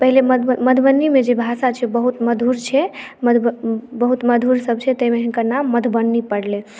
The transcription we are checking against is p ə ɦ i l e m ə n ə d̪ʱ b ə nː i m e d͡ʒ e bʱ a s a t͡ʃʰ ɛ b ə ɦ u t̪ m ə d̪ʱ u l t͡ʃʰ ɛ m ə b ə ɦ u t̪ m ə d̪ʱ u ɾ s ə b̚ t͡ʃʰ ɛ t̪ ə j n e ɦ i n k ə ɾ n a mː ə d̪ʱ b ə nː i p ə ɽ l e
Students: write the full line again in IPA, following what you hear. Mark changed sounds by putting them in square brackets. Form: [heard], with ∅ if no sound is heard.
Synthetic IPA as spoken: p ə ɦ i l e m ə [m] ə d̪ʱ b ə nː i m e d͡ʒ e bʱ a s a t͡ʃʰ ɛ b ə ɦ u t̪ m ə d̪ʱ u [ɾ] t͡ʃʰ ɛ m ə b ə ɦ u t̪ m ə d̪ʱ u ɾ s ə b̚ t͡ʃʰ ɛ t̪ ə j [m] e ɦ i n k ə ɾ n a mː ə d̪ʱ b ə nː i p ə ɽ l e